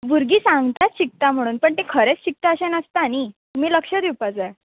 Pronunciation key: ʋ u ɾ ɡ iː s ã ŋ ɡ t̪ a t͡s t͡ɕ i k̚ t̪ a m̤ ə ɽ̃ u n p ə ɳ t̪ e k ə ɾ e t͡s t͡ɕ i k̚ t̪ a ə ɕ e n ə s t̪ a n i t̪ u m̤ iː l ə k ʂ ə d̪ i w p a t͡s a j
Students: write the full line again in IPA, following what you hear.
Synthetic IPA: ʋ u ɾ ɡ iː s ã ŋ ɡ t̪ a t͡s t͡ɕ i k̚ t̪ a m̤ ə ɽ̃ uː n p ə ɳ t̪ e kʰ ə ɾ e t͡s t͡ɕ i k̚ t̪ a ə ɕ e n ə s t̪ a n i t̪ u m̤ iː l ə k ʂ ə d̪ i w p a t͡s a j